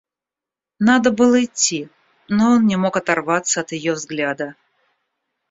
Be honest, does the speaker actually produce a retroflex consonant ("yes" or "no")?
no